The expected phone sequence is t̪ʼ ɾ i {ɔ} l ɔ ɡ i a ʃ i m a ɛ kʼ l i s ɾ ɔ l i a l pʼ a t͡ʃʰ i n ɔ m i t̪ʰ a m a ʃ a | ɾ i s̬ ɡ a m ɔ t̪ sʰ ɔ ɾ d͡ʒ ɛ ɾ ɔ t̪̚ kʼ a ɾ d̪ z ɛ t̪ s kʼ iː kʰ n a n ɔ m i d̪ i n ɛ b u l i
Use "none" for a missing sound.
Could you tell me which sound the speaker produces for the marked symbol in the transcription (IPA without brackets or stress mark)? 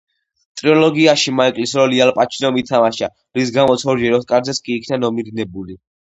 ɔ